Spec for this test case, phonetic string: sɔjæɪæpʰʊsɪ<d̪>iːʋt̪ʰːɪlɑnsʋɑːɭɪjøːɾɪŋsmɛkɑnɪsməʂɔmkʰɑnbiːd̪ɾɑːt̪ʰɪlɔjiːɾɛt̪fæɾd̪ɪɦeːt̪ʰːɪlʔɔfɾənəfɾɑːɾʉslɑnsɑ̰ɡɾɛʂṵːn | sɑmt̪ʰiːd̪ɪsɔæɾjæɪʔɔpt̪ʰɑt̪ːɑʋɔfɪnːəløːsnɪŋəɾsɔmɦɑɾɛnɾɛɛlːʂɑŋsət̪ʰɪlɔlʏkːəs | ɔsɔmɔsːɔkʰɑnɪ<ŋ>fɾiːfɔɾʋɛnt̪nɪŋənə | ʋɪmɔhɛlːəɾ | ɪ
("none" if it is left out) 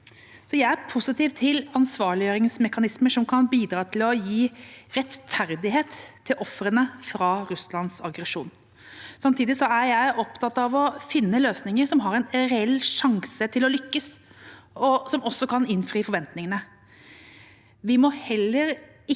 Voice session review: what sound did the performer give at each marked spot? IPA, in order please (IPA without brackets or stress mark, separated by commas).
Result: t̪, n